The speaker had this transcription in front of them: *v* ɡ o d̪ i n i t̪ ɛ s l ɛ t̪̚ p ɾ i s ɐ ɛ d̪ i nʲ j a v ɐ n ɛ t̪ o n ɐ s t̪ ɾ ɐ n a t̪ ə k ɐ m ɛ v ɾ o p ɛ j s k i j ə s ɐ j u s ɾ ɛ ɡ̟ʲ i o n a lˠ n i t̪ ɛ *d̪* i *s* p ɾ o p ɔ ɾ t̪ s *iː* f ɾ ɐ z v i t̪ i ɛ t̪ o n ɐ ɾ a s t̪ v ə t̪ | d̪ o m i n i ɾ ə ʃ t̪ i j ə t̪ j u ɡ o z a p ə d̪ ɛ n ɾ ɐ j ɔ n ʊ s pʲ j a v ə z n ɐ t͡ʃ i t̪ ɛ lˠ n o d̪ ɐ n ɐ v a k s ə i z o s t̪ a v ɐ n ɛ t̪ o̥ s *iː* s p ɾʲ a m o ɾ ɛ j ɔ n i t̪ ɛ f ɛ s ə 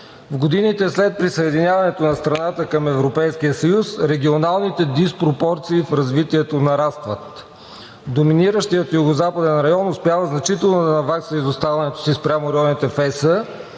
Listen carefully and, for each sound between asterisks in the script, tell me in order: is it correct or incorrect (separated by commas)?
correct, correct, correct, correct, incorrect